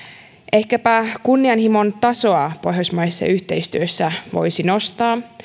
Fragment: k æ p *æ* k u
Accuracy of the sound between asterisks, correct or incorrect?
correct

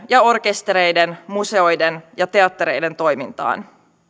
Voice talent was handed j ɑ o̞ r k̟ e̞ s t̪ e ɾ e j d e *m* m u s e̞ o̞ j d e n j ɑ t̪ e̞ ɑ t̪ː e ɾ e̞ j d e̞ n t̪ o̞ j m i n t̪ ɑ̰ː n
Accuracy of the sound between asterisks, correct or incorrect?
incorrect: n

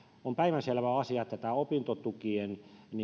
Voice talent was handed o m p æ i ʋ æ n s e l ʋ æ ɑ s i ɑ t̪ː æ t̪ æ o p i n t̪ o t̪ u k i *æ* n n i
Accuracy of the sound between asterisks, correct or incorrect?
incorrect: e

